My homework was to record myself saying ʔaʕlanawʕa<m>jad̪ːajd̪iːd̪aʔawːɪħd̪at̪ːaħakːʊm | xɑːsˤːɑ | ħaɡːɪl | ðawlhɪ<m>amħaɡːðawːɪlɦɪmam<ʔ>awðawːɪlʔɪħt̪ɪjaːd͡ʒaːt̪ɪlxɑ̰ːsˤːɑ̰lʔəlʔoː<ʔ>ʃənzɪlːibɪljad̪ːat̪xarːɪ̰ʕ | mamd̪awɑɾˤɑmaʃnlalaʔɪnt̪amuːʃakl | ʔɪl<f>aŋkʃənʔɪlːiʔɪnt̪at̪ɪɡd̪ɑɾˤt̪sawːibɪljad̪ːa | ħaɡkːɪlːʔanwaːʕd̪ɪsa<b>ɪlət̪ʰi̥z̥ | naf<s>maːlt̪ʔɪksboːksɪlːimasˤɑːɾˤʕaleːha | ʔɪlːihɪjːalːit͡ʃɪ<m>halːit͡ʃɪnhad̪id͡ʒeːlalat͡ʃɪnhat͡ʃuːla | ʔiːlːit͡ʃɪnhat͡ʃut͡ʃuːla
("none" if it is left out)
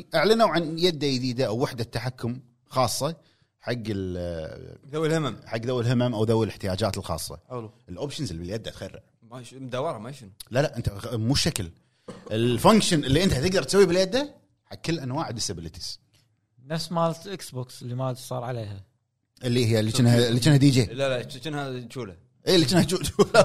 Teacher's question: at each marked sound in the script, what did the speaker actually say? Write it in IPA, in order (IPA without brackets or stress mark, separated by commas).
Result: n, m, ʔ, p, f, b, s, n